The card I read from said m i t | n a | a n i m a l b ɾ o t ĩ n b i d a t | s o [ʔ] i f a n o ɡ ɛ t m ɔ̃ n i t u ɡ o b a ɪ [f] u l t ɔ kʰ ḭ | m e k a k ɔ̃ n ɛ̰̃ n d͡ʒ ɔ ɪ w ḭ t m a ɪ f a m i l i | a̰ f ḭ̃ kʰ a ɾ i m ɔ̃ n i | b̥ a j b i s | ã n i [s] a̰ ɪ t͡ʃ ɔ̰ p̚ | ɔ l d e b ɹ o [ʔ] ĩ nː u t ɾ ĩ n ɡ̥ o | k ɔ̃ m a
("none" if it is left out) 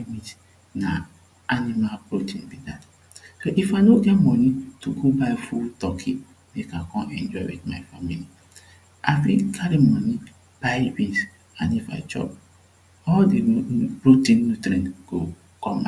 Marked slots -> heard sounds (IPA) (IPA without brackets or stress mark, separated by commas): ʔ, f, f, t